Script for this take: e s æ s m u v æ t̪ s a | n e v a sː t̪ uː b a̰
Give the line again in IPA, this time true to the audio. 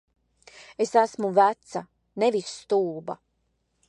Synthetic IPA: e s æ s m u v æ t̪ s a | n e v i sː t̪ uː b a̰